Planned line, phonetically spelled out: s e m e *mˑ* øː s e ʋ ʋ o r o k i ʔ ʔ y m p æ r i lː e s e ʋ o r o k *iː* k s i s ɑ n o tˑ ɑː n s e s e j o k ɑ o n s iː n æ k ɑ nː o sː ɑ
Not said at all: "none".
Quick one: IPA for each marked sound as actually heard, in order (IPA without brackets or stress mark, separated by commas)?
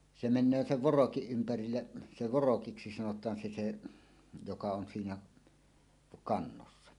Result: nˑ, i